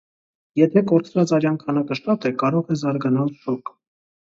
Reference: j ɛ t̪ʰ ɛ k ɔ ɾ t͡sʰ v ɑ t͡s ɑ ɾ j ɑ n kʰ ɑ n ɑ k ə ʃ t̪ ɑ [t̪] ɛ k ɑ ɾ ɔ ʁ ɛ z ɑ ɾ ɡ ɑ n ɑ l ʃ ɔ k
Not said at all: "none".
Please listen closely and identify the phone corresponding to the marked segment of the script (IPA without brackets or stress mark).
t̪